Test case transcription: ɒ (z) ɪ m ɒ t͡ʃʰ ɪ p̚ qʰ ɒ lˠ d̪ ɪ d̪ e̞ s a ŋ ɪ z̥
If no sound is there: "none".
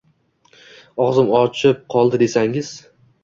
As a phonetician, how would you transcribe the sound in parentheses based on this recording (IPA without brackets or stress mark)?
z